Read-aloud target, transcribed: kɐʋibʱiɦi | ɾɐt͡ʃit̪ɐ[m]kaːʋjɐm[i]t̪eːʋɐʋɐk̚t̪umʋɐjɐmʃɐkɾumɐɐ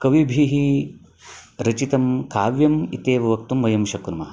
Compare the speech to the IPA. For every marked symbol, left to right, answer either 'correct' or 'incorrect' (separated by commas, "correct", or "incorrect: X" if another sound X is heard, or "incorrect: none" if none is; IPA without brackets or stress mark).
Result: correct, correct